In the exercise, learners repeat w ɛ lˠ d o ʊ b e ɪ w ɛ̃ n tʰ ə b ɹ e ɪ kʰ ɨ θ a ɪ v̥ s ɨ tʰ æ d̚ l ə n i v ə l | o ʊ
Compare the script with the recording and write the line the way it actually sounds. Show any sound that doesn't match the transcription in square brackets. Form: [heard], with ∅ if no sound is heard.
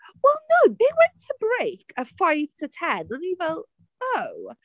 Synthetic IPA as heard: w ɛ lˠ [n] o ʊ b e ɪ w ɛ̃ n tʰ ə b ɹ e ɪ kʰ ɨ [f] a ɪ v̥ s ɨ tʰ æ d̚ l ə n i v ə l | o ʊ